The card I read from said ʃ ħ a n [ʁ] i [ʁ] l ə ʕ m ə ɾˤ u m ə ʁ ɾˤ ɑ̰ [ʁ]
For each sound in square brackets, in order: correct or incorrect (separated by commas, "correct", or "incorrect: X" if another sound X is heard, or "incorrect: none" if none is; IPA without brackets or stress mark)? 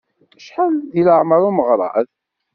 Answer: incorrect: ð, incorrect: none, incorrect: ð